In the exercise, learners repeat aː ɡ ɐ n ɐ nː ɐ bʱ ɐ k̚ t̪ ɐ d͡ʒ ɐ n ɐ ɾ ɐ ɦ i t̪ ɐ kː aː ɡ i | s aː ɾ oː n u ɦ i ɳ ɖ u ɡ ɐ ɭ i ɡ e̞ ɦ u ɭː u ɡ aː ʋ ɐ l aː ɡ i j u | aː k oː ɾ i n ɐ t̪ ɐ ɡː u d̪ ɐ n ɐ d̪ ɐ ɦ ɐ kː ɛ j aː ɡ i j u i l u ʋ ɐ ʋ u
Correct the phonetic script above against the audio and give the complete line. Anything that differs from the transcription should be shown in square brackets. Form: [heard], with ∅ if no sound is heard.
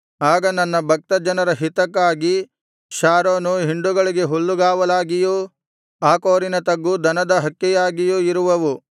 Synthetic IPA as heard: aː ɡ ɐ n ɐ nː ɐ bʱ ɐ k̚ t̪ ɐ d͡ʒ ɐ n ɐ ɾ ɐ ɦ i t̪ ɐ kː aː ɡ i | [ʃ] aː ɾ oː n u ɦ i ɳ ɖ u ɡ ɐ ɭ i ɡ e̞ ɦ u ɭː u ɡ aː ʋ ɐ l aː ɡ i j u | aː k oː ɾ i n ɐ t̪ ɐ ɡː u d̪ ɐ n ɐ d̪ ɐ ɦ ɐ kː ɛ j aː ɡ i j u i [ɾ] u ʋ ɐ ʋ u